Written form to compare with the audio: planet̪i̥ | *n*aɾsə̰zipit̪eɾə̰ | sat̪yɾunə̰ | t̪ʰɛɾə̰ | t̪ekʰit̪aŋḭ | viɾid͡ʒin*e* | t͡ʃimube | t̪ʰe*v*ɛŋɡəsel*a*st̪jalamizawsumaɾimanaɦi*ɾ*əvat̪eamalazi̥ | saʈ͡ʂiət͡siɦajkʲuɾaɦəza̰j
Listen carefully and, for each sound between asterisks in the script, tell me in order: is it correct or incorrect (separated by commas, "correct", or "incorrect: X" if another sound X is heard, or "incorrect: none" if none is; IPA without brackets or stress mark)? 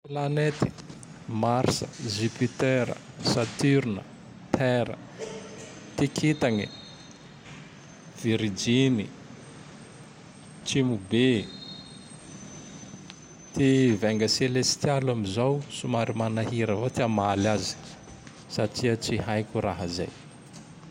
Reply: incorrect: m, incorrect: i, correct, incorrect: e, correct